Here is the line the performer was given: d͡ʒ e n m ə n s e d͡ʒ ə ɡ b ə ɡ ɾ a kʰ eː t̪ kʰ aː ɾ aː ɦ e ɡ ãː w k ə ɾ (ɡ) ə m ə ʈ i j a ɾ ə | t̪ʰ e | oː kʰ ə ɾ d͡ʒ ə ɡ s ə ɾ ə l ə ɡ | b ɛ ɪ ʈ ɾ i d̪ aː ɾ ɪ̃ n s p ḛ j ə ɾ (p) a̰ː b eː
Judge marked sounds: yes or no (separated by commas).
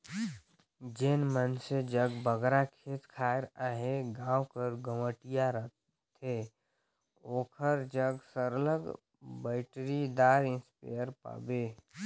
yes, yes